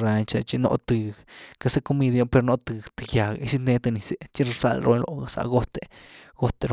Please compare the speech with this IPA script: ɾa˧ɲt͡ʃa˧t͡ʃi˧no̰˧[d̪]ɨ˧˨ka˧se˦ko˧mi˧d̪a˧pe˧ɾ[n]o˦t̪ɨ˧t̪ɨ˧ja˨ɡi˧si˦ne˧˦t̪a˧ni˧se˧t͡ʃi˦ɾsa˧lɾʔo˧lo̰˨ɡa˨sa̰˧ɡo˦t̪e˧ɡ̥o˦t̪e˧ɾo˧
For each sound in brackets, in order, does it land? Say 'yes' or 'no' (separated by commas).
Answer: no, yes